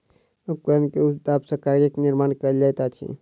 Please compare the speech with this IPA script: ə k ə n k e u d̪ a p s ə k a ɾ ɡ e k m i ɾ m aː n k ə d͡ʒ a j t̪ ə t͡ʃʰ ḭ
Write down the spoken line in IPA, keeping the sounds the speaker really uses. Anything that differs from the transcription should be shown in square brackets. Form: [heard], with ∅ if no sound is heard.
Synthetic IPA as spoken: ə k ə n k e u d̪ a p s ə k a ɾ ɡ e k [n] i ɾ m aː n k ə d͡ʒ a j t̪ [a] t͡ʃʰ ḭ